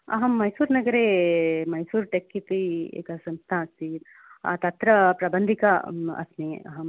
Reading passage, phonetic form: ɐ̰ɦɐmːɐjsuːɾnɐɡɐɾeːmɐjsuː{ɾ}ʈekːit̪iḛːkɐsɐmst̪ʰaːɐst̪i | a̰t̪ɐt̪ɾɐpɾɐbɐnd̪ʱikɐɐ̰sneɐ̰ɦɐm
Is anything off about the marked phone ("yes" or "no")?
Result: no